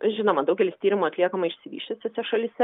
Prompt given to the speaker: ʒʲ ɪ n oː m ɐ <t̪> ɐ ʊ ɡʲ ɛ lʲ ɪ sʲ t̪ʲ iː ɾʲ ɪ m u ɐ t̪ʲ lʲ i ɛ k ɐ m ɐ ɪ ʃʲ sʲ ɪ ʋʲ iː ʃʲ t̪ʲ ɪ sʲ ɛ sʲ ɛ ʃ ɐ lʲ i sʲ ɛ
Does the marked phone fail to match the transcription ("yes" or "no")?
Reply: yes